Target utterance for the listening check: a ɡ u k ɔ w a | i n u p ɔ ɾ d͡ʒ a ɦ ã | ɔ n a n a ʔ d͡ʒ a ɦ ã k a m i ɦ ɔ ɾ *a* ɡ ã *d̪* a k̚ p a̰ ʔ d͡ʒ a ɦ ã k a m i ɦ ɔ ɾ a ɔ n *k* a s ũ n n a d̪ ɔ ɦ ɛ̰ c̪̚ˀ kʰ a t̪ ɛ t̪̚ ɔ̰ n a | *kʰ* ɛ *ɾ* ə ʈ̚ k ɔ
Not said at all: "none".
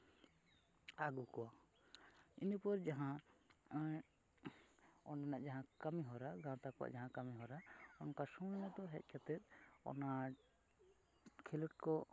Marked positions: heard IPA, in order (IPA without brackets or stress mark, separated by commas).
a, t̪, k, kʰ, l